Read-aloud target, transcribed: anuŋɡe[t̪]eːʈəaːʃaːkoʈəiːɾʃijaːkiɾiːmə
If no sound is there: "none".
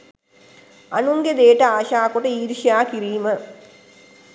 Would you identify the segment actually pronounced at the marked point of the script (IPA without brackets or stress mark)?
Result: d̪